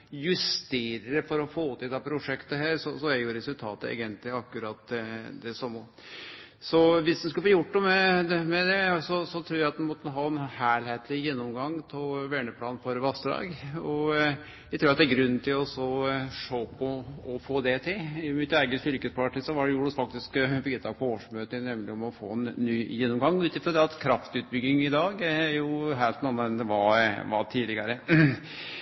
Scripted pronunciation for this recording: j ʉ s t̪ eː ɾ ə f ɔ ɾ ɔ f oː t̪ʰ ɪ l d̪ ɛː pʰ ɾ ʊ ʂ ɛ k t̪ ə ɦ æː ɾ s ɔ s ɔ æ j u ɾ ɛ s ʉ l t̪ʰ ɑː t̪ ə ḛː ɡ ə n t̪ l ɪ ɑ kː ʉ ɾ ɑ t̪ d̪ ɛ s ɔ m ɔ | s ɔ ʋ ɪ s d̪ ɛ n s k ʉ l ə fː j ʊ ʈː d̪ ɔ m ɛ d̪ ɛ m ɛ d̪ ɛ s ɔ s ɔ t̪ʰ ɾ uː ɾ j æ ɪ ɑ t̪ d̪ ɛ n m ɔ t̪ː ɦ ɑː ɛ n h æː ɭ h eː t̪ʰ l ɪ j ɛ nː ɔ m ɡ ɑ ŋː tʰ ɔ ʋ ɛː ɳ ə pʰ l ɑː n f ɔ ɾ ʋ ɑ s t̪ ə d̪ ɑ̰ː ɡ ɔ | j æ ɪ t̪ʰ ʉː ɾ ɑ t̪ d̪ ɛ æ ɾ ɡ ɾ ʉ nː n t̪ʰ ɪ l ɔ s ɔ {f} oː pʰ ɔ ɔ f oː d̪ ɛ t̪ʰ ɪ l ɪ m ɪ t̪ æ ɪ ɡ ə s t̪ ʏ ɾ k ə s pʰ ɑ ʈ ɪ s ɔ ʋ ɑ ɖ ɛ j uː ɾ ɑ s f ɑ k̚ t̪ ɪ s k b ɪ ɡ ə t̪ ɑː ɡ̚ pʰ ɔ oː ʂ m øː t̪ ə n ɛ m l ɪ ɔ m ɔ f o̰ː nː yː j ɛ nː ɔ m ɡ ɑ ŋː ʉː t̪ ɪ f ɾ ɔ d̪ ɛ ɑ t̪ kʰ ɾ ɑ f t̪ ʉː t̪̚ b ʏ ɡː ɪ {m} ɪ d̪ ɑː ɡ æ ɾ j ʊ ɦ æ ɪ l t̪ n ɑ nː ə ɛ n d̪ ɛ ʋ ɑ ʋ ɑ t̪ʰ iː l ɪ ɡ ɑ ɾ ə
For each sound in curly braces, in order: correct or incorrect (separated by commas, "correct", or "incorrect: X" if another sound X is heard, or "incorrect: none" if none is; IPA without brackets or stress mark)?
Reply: incorrect: ʂ, incorrect: ŋ